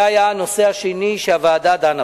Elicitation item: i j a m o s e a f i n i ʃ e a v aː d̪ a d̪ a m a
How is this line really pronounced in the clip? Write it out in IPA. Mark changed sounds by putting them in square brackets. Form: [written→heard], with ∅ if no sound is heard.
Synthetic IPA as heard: [i→a] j a [m→n] o s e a [f→ʃ] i n i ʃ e a v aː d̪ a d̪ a [m→n] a

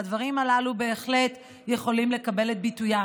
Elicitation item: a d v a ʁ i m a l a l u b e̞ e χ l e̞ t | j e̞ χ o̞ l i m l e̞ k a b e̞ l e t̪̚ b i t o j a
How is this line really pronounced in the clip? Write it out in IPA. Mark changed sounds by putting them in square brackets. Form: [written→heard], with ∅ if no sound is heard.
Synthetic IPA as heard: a d v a ʁ i m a l a l u b e̞ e χ l e̞ t | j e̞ χ o̞ l i m l e̞ k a b e̞ l e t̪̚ b i t [o→u] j a

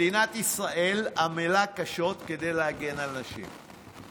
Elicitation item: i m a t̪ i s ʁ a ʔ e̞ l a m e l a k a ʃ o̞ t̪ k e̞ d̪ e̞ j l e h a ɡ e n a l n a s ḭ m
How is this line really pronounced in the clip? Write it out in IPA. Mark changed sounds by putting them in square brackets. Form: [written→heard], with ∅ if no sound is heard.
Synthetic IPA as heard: i [m→n] a t̪ i s ʁ a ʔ e̞ l a m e l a k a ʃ o̞ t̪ k e̞ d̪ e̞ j l e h a ɡ e n a l n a [s→ʃ] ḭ m

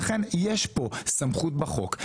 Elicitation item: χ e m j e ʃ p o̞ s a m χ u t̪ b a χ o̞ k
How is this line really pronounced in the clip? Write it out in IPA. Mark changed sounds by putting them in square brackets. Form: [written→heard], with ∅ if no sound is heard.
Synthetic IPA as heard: χ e [m→n] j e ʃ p o̞ s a m χ u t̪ b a χ o̞ k

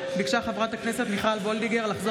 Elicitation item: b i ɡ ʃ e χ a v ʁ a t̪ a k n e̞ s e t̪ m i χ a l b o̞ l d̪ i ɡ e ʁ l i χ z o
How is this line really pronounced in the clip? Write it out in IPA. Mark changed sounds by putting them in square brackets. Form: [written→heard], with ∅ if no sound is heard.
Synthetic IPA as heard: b i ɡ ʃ [e→a] χ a v ʁ a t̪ a k n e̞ s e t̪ m i χ a l b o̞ l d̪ i ɡ e ʁ l [i→a] χ z o

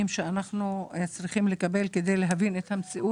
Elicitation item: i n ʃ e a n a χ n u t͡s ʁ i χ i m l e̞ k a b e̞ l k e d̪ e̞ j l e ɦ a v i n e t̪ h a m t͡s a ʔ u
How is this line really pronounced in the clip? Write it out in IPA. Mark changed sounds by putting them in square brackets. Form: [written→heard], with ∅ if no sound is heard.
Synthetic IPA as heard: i [n→m] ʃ e a n a χ n u t͡s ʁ i χ i m l e̞ k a b e̞ l k e d̪ e̞ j l e ɦ a v i n e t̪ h a m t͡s [a→i] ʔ u

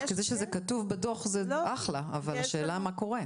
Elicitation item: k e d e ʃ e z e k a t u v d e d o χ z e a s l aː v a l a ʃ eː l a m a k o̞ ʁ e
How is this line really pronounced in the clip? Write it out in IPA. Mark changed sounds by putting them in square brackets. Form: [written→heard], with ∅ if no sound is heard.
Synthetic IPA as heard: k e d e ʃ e z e k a t u v [d→b] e d o χ z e a [s→χ] l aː v a l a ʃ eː l a m a k o̞ ʁ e

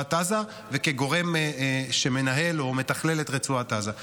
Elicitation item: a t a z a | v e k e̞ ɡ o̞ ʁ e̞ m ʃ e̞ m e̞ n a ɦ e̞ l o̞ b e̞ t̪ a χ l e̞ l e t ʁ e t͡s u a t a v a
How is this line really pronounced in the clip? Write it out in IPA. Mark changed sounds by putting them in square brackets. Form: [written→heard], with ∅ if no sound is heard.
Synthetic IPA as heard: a t a z a | v e k e̞ ɡ o̞ ʁ e̞ m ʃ e̞ m e̞ n a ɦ e̞ l o̞ [b→m] e̞ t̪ a χ l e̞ l e t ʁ e t͡s u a t a [v→z] a

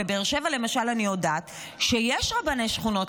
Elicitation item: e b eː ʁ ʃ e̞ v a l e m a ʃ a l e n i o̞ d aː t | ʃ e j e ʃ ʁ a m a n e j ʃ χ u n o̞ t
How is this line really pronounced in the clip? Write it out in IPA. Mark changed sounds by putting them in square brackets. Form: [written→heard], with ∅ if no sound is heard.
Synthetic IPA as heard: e b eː ʁ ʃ e̞ v a l e m a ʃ a l [e→a] n i o̞ d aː t | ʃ e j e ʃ ʁ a [m→b] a n e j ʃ χ u n o̞ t

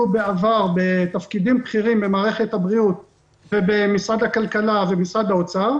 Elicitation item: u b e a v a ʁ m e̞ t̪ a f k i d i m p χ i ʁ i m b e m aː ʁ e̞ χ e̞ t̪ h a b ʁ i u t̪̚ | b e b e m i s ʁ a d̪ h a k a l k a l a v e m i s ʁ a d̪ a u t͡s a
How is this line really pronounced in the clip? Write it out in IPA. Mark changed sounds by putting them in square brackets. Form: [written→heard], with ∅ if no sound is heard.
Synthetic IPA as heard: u b e a v a ʁ [m→b] e̞ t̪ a f k i d i m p χ i ʁ i m b e m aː ʁ e̞ χ e̞ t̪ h a b ʁ i u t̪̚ | [b→v] e b e m i s ʁ a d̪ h a k a l k a l a v e m i s ʁ a d̪ a [u→o] t͡s a

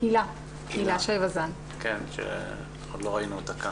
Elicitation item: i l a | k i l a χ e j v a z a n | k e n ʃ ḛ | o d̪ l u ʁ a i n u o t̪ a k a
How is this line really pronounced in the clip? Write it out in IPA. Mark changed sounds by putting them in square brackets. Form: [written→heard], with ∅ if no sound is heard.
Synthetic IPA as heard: i l a | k i l a [χ→ʃ] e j v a z a n | k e n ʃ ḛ | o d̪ l [u→o] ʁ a i n u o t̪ a k a

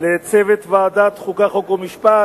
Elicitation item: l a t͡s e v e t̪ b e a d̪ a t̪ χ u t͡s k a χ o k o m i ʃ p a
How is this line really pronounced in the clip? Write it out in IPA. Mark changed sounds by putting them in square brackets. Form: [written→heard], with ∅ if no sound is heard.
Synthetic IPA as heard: l [a→e] t͡s e v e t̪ [b→v] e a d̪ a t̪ χ u [t͡s→∅] k a χ o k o m i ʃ p a

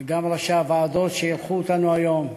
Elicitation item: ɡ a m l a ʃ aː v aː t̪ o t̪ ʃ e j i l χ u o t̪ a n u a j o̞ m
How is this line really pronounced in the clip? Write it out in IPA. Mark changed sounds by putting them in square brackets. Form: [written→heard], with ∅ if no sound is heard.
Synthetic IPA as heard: ɡ a m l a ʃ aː v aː [t̪→d̪] o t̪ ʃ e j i l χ u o t̪ a n u a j o̞ m

